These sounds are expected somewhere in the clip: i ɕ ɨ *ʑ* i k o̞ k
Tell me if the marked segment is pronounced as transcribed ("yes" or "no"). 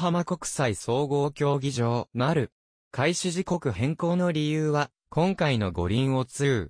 yes